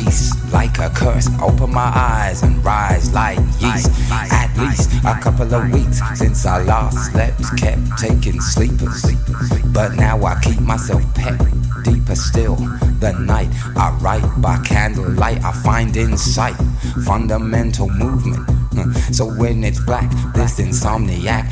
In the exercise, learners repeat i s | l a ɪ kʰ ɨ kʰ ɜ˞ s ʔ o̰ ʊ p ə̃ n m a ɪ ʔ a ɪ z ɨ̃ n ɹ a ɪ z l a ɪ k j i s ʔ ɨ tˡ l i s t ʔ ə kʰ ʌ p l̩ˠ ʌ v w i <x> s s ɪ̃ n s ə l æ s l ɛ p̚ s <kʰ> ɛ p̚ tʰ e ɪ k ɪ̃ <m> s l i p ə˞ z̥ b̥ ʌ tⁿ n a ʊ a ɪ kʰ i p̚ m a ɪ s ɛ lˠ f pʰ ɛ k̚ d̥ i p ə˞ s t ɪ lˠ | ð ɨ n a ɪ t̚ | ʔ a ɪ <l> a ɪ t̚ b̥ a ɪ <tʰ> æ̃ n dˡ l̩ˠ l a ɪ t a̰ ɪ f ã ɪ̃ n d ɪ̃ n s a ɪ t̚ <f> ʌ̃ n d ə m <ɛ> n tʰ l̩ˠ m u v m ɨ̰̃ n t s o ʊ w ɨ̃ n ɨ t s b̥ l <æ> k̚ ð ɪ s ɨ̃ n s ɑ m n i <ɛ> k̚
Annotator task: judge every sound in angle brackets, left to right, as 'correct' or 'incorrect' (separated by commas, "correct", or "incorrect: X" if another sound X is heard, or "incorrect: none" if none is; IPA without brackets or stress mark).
incorrect: k, correct, incorrect: ŋ, incorrect: ɹ, incorrect: kʰ, correct, incorrect: ɛ̃, correct, incorrect: æ